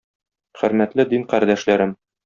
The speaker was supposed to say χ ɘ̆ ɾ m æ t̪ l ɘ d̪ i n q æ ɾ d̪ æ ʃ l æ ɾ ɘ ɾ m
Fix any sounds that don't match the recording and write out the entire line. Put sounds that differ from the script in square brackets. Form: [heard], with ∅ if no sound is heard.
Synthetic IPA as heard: χ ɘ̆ ɾ m æ t̪ l ɘ d̪ i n q æ ɾ d̪ æ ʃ l æ ɾ ɘ [∅] m